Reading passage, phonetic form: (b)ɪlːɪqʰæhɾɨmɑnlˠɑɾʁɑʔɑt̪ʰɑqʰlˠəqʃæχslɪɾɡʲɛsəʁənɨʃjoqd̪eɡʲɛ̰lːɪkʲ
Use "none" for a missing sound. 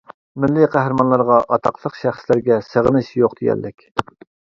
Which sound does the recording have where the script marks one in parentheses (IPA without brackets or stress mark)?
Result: m